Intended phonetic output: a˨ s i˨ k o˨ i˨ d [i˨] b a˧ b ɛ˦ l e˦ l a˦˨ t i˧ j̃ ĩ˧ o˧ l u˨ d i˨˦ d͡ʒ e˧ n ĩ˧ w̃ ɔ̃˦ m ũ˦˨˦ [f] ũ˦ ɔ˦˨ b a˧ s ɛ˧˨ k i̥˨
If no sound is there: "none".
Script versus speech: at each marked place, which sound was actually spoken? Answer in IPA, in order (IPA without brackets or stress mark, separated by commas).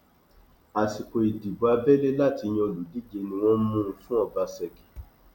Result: i˨, f